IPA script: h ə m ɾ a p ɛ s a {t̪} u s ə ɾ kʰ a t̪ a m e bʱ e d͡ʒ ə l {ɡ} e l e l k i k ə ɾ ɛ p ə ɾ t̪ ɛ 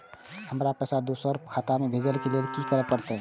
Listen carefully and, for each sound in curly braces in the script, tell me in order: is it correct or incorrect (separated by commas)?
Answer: incorrect, incorrect